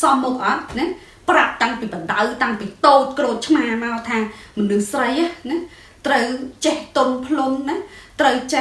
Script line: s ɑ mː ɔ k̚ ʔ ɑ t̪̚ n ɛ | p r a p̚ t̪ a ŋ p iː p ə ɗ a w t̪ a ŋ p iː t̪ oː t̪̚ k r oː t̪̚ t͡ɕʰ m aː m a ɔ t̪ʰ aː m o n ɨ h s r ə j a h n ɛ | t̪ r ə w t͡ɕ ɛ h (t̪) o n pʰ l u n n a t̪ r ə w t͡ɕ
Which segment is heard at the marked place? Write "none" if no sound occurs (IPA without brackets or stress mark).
t̪